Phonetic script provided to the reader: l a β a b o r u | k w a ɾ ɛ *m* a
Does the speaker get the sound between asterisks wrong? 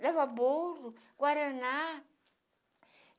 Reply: yes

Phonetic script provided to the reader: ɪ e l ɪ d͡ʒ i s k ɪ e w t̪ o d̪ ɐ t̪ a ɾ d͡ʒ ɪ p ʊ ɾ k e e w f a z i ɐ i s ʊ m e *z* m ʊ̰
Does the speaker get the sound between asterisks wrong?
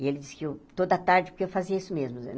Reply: no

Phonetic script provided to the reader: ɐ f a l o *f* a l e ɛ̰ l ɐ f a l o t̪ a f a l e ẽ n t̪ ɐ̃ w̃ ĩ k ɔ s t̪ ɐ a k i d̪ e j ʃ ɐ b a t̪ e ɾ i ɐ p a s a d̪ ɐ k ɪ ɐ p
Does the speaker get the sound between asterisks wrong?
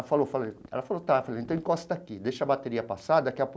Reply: no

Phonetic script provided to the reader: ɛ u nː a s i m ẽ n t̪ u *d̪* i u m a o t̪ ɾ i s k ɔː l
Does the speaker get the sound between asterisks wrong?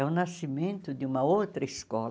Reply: no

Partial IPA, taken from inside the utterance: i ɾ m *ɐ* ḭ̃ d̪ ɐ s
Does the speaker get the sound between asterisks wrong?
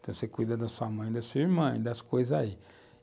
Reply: yes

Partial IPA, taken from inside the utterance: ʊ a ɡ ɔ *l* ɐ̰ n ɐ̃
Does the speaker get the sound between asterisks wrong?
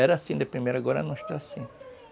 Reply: yes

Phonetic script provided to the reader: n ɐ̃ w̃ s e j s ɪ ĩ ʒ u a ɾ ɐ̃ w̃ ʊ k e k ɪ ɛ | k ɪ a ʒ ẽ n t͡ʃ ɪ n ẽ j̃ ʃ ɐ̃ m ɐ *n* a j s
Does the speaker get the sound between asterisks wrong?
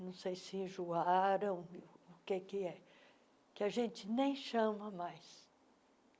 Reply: yes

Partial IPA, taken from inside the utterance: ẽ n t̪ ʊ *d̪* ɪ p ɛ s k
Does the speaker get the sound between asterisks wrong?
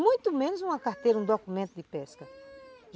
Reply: no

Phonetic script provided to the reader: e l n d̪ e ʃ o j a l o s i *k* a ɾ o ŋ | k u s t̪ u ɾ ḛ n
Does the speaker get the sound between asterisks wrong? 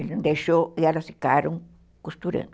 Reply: no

